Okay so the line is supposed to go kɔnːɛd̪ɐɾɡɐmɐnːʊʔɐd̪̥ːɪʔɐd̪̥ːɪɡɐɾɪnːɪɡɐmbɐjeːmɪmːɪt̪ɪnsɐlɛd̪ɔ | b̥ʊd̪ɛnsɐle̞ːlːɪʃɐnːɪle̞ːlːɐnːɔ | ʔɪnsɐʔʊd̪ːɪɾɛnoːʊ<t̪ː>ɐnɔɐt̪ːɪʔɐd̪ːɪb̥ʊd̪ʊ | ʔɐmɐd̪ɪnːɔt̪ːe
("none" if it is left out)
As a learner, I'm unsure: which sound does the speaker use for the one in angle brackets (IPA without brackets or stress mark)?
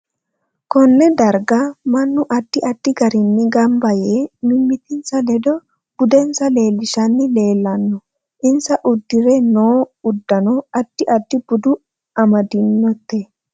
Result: d̪ː